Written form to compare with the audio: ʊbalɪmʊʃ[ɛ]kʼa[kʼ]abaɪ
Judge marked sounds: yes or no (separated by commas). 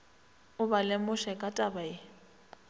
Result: yes, no